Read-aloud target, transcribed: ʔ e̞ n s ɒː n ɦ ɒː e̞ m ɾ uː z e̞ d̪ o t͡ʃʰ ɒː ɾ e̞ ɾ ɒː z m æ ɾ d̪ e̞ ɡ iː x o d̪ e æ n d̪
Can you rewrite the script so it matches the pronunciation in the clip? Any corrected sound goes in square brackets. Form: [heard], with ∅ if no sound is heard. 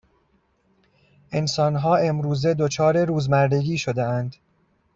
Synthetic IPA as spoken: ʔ e̞ n s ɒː n ɦ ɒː e̞ m ɾ uː z e̞ d̪ o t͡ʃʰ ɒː ɾ e̞ ɾ [uː] z m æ ɾ d̪ e̞ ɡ iː [ʃ] o d̪ e æ n d̪